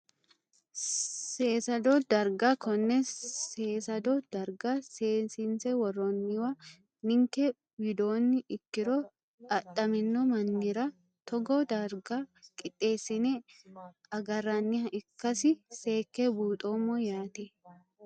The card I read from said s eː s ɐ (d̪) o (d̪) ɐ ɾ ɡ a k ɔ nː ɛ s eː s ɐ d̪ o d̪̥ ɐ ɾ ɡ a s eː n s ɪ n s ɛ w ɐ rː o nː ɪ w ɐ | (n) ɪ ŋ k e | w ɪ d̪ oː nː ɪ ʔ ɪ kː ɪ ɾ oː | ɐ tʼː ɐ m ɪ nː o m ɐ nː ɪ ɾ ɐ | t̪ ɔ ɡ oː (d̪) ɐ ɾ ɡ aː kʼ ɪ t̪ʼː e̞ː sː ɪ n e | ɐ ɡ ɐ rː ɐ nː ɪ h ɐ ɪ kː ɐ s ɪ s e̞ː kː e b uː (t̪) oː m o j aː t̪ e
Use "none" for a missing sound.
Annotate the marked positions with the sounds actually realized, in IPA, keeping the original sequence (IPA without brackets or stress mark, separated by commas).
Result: d̪, d̪, n, d̪, t̪ʼ